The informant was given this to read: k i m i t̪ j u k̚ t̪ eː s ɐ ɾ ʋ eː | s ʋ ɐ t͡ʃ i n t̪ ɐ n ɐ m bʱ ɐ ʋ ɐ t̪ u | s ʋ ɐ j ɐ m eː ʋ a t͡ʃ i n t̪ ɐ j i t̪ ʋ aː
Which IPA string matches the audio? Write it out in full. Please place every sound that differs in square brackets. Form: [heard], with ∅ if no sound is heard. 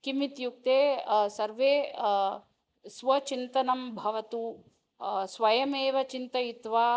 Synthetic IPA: k i m i t̪ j u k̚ t̪ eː s ɐ ɾ ʋ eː | s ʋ ɐ t͡ʃ i n t̪ ɐ n ɐ m bʱ ɐ ʋ ɐ t̪ u | s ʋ ɐ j ɐ m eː ʋ [ɐ] t͡ʃ i n t̪ ɐ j i t̪ ʋ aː

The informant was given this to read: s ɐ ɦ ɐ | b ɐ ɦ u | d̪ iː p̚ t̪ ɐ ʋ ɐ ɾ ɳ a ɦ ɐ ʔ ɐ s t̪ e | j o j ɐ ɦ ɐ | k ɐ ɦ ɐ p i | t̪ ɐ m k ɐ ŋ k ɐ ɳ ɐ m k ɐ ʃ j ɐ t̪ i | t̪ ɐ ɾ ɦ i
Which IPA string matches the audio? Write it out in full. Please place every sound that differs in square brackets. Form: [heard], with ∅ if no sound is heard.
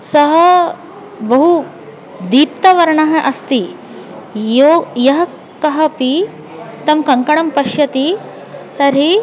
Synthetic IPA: s ɐ ɦ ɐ | b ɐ ɦ u | d̪ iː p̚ t̪ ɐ ʋ ɐ ɾ ɳ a ɦ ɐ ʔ ɐ s t̪ [i] | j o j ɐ ɦ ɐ | k ɐ ɦ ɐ p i | t̪ ɐ m k ɐ ŋ k ɐ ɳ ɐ m [p] ɐ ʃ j ɐ t̪ i | t̪ ɐ ɾ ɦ i

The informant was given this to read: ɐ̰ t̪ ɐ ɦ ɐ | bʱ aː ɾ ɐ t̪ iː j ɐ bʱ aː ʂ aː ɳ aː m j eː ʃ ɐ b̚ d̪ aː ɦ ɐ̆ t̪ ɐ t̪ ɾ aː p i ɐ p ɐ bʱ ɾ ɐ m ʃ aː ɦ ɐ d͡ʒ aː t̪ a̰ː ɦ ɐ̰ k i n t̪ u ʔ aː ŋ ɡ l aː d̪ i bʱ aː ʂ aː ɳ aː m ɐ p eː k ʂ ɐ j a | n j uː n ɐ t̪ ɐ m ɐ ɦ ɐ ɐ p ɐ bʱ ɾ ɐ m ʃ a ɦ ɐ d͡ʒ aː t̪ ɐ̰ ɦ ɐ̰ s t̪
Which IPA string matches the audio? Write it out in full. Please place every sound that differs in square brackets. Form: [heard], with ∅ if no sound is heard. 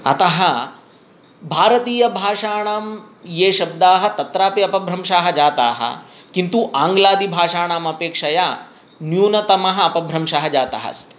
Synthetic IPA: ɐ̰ t̪ ɐ ɦ ɐ | bʱ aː ɾ ɐ t̪ iː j ɐ bʱ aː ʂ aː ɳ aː m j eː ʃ ɐ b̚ d̪ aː ɦ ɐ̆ t̪ ɐ t̪ ɾ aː p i ɐ p ɐ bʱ ɾ ɐ m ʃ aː ɦ ɐ d͡ʒ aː t̪ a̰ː ɦ ɐ̰ k i n t̪ u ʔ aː ŋ ɡ l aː d̪ i bʱ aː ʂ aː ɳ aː m ɐ p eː k ʂ ɐ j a | n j uː n ɐ t̪ ɐ m ɐ ɦ ɐ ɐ p ɐ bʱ ɾ ɐ m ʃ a ɦ ɐ d͡ʒ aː t̪ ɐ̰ ɦ ɐ̰ s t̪

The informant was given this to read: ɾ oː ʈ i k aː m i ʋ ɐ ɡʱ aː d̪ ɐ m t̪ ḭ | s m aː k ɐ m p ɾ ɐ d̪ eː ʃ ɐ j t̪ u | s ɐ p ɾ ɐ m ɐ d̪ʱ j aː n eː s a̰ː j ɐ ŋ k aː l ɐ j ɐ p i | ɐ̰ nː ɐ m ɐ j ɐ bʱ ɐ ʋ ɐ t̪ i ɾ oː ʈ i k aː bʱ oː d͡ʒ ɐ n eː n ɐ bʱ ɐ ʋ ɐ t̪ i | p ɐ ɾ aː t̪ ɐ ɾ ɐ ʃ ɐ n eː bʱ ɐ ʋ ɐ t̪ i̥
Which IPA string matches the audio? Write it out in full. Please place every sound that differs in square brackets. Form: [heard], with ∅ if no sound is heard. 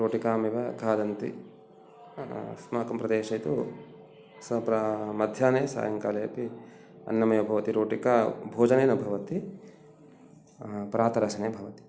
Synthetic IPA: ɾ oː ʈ i k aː m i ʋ ɐ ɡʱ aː d̪ ɐ [n] t̪ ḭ | s m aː k ɐ m p ɾ ɐ d̪ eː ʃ ɐ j t̪ u | s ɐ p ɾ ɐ m ɐ d̪ʱ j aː n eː s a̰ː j ɐ ŋ k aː l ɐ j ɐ p i | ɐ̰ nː ɐ m ɐ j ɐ bʱ ɐ ʋ ɐ t̪ i ɾ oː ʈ i k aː bʱ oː d͡ʒ ɐ n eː n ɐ bʱ ɐ ʋ ɐ t̪ i | p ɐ ɾ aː t̪ ɐ ɾ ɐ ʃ ɐ n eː bʱ ɐ ʋ ɐ t̪ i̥

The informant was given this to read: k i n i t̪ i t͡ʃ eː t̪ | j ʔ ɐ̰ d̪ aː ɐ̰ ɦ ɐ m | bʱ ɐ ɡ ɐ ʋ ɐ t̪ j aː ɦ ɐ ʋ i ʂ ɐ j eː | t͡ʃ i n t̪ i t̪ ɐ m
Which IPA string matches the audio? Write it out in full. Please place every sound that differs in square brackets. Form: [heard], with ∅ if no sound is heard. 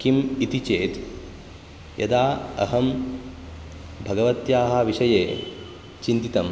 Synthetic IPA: k i [m] i t̪ i t͡ʃ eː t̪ | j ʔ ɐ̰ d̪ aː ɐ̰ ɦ ɐ m | bʱ ɐ ɡ ɐ ʋ ɐ t̪ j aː ɦ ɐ ʋ i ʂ ɐ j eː | t͡ʃ i n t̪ i t̪ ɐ m

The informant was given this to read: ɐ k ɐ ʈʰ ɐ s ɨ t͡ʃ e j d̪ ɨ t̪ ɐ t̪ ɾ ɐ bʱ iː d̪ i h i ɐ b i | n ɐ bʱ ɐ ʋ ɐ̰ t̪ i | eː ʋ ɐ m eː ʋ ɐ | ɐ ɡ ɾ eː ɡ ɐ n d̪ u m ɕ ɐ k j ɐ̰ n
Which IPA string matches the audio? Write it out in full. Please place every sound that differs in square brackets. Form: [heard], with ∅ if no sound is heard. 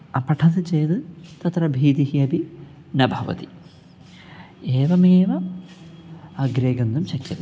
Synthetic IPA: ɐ [p] ɐ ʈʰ ɐ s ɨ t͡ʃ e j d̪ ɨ t̪ ɐ t̪ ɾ ɐ bʱ iː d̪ i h i ɐ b i | n ɐ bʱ ɐ ʋ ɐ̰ t̪ i | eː ʋ ɐ m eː ʋ ɐ | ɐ ɡ ɾ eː ɡ ɐ n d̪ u m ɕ ɐ k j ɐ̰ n

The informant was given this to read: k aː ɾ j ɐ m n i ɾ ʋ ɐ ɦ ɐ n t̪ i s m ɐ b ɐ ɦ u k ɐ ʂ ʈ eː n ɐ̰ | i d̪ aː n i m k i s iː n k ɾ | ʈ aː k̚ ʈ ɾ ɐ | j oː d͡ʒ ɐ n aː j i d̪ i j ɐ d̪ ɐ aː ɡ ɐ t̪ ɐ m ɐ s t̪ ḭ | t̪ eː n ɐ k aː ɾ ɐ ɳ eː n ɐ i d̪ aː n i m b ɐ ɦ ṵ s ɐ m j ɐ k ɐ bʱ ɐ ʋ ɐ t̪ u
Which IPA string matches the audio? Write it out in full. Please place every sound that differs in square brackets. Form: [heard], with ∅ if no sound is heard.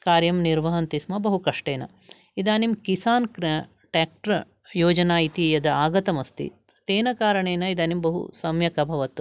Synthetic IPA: k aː ɾ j ɐ m n i ɾ ʋ ɐ ɦ ɐ n t̪ i s m ɐ b ɐ ɦ u k ɐ ʂ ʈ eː n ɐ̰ | i d̪ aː n i m k i s [aː] n k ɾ | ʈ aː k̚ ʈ ɾ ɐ | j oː d͡ʒ ɐ n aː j i [t̪] i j ɐ d̪ ɐ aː ɡ ɐ t̪ ɐ m ɐ s t̪ ḭ | t̪ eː n ɐ k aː ɾ ɐ ɳ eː n ɐ i d̪ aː n i m b ɐ ɦ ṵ s ɐ m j ɐ k ɐ bʱ ɐ ʋ ɐ t̪ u

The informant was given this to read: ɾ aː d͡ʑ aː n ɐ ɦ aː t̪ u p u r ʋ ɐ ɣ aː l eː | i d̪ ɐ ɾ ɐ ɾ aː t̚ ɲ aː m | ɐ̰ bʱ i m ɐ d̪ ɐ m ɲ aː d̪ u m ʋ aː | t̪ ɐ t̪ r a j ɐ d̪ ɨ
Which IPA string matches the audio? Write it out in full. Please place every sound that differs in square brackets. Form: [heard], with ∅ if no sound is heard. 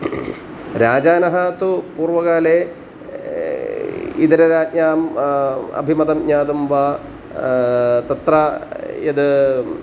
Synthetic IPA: ɾ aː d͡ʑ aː n ɐ ɦ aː t̪ u p [uː] r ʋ ɐ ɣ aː l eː | i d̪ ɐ ɾ ɐ ɾ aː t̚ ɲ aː m | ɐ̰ bʱ i m ɐ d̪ ɐ m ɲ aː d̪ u m ʋ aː | t̪ ɐ t̪ r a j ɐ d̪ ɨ

